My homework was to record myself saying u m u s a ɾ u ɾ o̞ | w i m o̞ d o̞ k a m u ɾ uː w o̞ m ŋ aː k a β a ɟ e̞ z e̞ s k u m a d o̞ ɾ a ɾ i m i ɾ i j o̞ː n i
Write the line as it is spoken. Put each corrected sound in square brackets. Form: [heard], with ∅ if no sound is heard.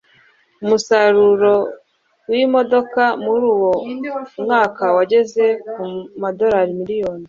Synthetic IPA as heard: u m u s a ɾ u ɾ o̞ | w i m o̞ d o̞ k a m u ɾ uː w o̞ m ŋ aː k a [w] a ɟ e̞ z e̞ [∅] k u m a d o̞ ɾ a ɾ i m i ɾ i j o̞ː n i